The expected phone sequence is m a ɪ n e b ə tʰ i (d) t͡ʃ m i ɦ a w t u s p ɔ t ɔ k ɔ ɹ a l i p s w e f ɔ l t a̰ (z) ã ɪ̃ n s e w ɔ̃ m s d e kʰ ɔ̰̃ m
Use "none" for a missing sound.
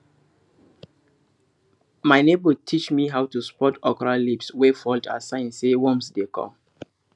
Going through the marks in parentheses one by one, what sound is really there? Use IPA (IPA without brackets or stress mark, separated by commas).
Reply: none, s